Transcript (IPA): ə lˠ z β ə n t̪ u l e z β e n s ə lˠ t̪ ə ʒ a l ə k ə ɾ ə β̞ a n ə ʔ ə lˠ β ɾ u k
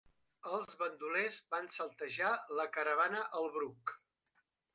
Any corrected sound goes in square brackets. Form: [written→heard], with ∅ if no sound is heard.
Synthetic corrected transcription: ə lˠ z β ə n [t̪→d̪] u l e z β [e→a] n s ə lˠ t̪ ə ʒ a l ə k ə ɾ ə β̞ a n ə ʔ ə lˠ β ɾ u k